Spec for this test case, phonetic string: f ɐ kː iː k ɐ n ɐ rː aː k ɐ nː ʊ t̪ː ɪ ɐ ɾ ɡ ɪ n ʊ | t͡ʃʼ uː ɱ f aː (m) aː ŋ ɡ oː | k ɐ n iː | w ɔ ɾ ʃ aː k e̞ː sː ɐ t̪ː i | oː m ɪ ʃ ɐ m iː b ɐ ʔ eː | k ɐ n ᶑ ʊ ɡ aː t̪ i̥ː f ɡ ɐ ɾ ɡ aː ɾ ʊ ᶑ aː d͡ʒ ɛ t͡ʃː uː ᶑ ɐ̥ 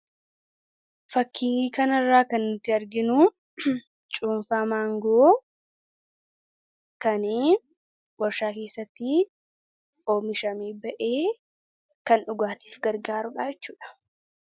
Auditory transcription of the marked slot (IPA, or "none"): m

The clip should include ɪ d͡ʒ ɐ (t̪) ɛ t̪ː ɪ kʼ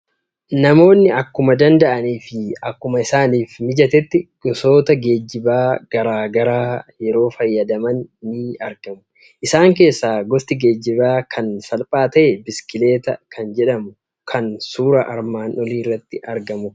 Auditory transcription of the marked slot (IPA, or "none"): t̪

